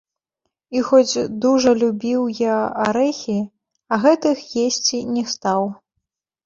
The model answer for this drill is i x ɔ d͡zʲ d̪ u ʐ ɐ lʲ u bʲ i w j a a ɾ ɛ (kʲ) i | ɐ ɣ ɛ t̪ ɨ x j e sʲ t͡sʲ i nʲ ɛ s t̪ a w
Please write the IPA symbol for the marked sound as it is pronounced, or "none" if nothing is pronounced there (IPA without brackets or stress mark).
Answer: xʲ